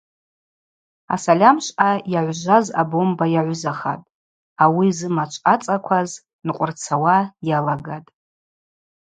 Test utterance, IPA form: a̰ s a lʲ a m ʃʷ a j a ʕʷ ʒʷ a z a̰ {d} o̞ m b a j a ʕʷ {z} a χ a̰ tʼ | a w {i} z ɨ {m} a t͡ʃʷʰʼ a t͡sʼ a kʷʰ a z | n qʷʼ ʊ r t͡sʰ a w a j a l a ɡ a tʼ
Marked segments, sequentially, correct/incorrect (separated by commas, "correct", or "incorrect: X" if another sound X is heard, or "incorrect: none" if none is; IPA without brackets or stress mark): incorrect: b, correct, correct, correct